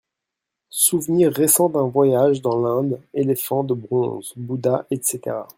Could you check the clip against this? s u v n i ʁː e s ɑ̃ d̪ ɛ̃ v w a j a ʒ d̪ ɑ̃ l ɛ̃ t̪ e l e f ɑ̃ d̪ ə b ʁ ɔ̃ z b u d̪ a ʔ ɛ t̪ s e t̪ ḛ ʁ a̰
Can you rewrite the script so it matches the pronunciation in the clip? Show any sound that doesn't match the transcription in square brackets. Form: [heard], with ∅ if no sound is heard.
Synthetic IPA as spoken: s u v n i ʁː e s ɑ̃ d̪ ɛ̃ v w a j a ʒ d̪ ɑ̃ l ɛ̃ [d̪] e l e f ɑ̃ d̪ ə b ʁ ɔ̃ z b u d̪ a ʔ ɛ t̪ s e t̪ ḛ ʁ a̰